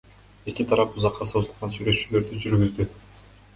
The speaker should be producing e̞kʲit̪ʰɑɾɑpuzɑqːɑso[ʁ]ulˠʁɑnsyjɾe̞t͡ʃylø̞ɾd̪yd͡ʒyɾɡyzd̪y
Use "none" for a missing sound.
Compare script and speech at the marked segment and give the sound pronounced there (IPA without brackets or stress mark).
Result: z